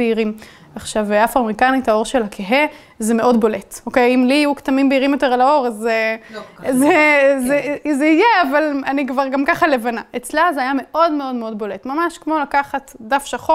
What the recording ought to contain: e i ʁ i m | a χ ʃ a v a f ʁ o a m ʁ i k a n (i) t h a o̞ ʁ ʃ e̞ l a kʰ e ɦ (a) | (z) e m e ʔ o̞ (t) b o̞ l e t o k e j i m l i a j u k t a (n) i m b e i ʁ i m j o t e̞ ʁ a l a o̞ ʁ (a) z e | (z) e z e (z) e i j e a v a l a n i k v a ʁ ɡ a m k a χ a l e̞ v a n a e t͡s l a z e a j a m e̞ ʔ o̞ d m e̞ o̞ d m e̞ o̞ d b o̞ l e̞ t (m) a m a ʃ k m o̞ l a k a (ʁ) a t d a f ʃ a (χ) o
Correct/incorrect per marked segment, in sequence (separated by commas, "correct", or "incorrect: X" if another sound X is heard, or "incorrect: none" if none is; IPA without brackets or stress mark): correct, incorrect: e, correct, incorrect: d, incorrect: m, correct, correct, correct, correct, incorrect: χ, correct